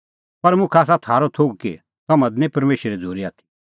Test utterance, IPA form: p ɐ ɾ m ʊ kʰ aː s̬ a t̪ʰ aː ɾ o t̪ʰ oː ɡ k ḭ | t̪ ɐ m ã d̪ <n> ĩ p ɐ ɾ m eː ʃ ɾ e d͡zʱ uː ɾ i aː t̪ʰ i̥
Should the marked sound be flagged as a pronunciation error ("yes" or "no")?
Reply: no